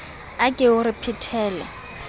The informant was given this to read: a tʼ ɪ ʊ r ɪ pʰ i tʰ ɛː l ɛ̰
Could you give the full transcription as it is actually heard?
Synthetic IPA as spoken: a kʼ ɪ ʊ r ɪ pʰ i tʰ ɛː l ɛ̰